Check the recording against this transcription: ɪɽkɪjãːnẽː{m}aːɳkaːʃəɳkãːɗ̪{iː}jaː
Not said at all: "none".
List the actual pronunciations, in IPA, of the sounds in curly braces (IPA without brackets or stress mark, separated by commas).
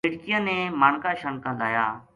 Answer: m, aː